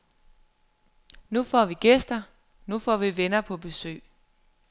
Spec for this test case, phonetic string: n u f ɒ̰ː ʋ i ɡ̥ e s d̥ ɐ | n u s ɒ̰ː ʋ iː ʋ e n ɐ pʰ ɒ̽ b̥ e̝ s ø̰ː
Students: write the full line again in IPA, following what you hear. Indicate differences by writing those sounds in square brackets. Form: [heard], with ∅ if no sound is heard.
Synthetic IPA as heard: n u f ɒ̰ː ʋ i ɡ̥ e s d̥ ɐ | n u [f] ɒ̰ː ʋ [i] ʋ e n ɐ pʰ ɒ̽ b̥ e̝ s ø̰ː